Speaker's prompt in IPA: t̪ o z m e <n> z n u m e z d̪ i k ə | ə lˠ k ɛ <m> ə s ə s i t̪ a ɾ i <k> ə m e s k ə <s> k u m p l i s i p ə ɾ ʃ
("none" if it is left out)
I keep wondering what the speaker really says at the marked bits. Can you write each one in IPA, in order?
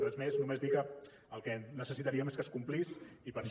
none, n, none, s

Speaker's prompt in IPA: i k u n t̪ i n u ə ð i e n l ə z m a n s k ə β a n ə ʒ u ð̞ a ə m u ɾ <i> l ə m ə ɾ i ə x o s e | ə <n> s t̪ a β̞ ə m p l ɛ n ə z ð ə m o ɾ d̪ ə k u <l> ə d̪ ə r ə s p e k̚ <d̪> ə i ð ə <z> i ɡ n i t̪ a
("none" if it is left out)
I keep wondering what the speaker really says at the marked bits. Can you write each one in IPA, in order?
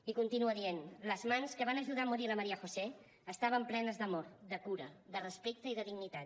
i, none, ɾ, t̪, ð

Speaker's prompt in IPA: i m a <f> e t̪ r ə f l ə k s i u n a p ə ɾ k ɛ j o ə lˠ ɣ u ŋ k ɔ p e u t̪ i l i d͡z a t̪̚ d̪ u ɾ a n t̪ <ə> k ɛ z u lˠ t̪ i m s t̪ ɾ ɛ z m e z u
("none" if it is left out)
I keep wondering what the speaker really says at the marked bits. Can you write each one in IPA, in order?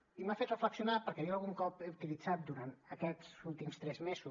f, ə

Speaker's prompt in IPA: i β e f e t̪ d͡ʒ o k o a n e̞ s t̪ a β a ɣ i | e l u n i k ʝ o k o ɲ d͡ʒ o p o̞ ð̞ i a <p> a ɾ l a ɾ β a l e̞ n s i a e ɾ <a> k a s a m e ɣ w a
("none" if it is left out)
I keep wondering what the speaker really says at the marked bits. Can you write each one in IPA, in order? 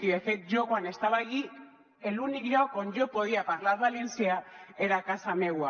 p, a

